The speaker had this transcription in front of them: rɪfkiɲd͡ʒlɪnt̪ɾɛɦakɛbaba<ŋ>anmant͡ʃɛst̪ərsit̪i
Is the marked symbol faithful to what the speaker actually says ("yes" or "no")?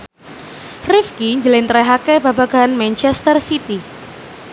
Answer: no